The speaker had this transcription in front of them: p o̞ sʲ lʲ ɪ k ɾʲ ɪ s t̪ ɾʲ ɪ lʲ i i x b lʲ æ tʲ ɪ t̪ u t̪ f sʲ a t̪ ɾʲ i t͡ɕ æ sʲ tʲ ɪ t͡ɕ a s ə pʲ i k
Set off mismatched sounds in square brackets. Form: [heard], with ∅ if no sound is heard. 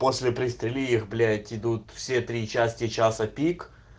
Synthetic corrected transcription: p o̞ sʲ lʲ ɪ [p] ɾʲ ɪ s t̪ ɾʲ ɪ lʲ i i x b lʲ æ tʲ ɪ [d̪] u t̪ f sʲ [e] t̪ ɾʲ i t͡ɕ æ sʲ tʲ ɪ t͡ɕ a s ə pʲ i k